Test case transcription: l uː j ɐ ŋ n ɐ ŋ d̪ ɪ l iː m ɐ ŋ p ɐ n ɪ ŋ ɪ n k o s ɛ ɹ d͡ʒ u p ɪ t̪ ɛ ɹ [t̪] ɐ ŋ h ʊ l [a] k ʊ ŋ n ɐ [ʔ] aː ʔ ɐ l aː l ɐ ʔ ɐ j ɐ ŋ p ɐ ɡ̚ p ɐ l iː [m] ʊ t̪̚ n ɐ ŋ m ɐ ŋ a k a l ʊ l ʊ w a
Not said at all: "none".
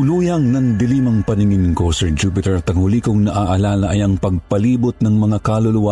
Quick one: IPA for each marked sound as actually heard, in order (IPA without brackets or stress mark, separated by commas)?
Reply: t̪, i, ʔ, b